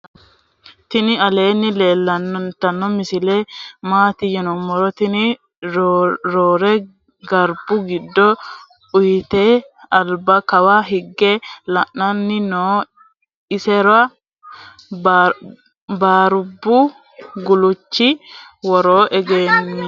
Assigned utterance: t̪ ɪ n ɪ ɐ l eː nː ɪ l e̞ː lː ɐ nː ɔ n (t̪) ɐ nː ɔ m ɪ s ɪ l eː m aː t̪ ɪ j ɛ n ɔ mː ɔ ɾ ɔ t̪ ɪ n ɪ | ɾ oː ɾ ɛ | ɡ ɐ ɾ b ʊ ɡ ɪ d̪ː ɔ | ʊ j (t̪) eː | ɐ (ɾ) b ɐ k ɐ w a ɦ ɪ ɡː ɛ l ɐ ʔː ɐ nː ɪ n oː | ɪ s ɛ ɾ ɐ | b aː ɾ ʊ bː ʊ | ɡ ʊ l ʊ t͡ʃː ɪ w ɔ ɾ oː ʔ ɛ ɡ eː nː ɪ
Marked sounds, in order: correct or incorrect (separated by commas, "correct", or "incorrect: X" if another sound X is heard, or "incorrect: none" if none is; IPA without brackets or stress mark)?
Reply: correct, correct, incorrect: l